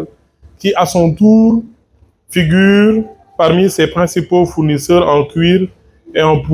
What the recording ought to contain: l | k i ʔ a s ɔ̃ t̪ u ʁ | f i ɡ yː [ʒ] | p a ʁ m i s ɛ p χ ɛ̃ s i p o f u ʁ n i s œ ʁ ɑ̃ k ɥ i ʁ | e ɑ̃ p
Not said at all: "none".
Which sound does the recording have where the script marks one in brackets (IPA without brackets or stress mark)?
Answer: ʁ